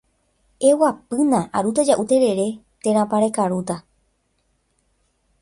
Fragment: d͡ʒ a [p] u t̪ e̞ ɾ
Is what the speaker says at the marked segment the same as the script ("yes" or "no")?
no